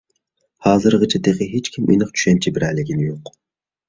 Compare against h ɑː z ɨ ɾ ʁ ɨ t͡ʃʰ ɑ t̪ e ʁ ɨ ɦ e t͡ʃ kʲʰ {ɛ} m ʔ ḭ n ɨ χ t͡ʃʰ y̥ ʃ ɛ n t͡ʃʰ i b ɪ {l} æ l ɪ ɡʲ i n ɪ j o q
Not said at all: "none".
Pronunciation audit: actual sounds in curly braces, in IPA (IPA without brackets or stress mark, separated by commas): i, ɾ